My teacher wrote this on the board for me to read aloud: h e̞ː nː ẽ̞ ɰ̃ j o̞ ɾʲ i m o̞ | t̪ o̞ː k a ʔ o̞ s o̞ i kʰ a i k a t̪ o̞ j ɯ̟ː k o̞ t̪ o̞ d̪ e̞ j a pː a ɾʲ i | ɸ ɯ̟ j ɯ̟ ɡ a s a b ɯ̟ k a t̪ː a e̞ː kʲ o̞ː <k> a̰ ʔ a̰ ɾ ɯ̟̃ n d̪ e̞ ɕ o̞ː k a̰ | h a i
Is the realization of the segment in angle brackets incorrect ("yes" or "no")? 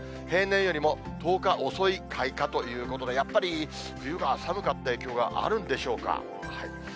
yes